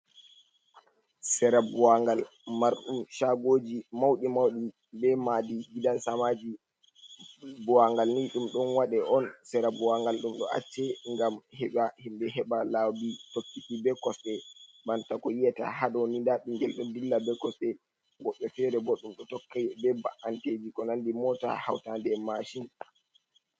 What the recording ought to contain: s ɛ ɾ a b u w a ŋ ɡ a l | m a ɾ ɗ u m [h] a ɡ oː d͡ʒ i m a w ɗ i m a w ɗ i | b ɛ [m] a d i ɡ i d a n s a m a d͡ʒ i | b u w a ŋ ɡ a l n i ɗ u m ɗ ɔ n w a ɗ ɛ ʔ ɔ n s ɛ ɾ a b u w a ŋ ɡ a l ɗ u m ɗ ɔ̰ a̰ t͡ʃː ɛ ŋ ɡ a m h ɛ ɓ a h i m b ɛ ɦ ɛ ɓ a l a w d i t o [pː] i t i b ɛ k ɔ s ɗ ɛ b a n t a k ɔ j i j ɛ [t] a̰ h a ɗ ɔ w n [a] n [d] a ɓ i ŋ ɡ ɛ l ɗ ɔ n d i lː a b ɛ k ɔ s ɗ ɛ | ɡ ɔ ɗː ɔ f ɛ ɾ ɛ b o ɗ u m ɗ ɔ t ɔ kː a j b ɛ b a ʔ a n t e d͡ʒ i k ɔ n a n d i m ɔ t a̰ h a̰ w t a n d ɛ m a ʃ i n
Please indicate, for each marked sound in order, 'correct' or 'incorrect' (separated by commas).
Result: incorrect, correct, incorrect, correct, incorrect, correct